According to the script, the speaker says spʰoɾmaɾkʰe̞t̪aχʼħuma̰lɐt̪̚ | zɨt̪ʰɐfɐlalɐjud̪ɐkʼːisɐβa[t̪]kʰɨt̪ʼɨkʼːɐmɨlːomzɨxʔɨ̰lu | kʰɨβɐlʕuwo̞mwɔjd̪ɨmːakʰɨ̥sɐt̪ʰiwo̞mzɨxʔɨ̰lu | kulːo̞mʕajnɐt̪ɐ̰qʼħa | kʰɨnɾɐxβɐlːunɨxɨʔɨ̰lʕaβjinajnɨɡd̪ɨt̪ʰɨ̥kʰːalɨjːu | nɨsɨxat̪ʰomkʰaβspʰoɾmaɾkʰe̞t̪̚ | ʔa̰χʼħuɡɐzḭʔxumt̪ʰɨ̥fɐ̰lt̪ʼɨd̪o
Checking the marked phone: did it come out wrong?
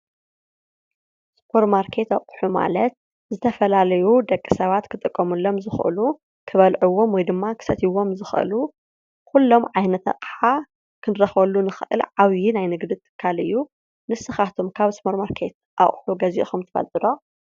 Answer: no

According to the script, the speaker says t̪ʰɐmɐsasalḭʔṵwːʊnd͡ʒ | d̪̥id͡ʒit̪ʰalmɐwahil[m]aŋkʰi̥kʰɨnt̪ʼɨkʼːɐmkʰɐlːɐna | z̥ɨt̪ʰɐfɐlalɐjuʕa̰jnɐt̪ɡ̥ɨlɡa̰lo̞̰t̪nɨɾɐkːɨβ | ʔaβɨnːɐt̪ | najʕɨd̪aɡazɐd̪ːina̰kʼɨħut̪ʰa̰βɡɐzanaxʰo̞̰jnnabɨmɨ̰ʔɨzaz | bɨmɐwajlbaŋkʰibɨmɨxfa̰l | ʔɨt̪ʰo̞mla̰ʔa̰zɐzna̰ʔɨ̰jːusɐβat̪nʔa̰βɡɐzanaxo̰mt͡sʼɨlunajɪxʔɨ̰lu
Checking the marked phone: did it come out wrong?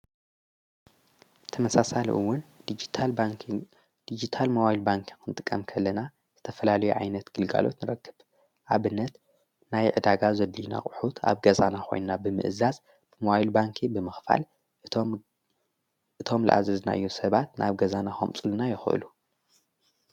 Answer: yes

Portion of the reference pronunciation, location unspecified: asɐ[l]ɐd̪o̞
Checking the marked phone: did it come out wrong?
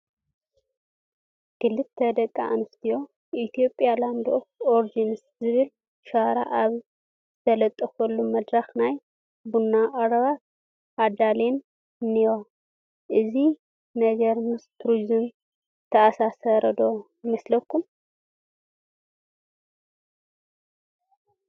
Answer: yes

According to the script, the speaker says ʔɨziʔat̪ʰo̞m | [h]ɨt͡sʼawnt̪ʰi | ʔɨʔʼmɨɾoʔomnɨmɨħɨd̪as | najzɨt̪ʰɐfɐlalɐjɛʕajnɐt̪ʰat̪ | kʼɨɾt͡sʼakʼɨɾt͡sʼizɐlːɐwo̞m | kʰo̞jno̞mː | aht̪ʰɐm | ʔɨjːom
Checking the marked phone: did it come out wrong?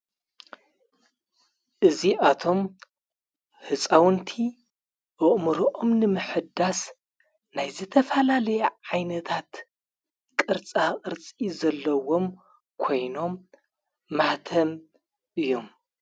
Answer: no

